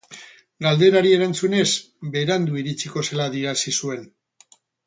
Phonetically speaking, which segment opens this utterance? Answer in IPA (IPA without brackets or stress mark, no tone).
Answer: ɡ